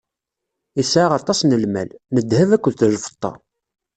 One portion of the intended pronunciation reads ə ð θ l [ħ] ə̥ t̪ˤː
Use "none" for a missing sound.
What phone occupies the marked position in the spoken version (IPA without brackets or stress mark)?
f